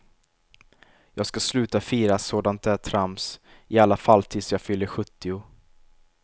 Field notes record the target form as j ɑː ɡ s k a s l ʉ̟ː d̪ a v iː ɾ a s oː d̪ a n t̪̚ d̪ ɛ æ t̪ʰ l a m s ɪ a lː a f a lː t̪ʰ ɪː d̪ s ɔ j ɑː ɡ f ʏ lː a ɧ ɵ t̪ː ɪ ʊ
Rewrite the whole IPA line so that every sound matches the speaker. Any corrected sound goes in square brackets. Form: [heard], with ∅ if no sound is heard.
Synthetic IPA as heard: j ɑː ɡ s k a s l ʉ̟ː [t̪] a [f] iː ɾ a s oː d̪ a n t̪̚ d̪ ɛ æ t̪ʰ [ɾ] a m s ɪ a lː a f a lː t̪ʰ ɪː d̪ s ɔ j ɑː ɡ f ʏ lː [ə] ɧ ɵ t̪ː ɪ ʊ